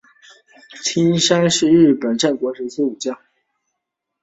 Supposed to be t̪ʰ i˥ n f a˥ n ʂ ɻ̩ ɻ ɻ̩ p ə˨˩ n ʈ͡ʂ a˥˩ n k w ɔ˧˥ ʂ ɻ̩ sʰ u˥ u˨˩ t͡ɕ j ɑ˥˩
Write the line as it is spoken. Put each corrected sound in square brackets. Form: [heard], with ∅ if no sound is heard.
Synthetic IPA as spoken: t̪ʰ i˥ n [ʂ] a˥ n ʂ ɻ̩ ɻ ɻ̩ p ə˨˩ n ʈ͡ʂ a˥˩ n k w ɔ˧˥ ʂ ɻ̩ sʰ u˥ u˨˩ t͡ɕ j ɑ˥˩